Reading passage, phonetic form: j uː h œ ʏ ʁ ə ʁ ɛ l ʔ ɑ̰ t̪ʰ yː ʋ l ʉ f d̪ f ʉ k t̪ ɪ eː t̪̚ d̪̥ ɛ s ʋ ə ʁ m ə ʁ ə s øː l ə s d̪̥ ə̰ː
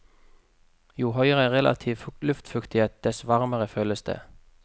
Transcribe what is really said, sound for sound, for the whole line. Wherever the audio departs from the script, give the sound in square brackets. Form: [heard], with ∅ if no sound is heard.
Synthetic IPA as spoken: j uː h œ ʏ ʁ ə ʁ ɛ l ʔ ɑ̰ t̪ʰ [iː] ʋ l ʉ f [t̪] f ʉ k t̪ ɪ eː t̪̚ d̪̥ ɛ s ʋ [ɑ] ʁ m ə ʁ ə [f] øː l ə s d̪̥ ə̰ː